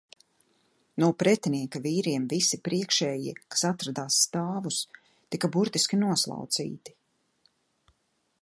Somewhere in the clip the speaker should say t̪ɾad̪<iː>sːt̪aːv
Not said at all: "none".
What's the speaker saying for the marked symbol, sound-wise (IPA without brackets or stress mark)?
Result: aː